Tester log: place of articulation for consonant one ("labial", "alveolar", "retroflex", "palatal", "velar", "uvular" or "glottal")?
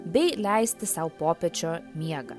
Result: labial